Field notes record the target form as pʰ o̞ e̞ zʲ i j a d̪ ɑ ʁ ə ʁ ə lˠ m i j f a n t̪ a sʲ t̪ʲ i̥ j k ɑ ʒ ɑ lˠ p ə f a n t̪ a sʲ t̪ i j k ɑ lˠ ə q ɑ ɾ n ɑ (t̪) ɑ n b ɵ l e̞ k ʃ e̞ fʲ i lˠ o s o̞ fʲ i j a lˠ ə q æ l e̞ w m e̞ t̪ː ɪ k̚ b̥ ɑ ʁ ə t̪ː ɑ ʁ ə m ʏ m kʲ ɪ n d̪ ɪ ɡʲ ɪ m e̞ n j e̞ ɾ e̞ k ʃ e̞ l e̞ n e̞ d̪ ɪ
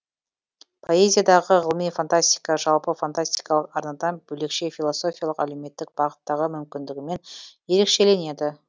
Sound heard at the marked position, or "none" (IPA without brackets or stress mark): d̪